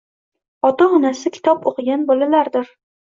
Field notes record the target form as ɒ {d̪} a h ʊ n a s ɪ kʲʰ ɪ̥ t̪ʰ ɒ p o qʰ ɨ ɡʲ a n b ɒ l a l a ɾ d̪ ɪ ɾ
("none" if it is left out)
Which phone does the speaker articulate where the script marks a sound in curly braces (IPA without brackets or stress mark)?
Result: t̪